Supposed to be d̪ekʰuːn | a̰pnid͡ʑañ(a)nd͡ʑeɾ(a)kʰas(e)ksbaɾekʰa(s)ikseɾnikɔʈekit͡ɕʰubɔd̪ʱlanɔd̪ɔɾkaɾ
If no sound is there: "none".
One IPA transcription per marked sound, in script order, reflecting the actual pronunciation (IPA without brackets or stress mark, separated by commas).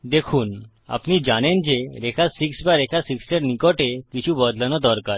e, e, i, s